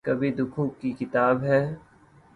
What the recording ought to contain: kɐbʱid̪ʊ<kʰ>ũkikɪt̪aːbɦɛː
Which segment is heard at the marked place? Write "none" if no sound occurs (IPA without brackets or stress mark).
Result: kʰ